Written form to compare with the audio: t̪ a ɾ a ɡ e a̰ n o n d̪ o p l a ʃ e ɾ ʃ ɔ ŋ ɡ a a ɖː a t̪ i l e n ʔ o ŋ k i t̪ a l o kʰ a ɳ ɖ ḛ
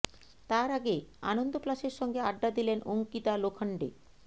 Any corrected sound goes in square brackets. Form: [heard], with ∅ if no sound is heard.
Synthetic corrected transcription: t̪ a ɾ a ɡ e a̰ n o n d̪ o p l a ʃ e ɾ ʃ ɔ ŋ ɡ [e] a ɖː a [d̪] i l e n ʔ o ŋ k i t̪ a l o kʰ a ɳ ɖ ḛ